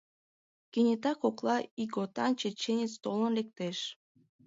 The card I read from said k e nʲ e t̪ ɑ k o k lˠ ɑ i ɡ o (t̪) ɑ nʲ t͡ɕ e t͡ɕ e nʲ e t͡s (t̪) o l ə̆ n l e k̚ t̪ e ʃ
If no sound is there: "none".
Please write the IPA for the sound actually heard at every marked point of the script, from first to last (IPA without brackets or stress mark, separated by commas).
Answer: t̪, t̪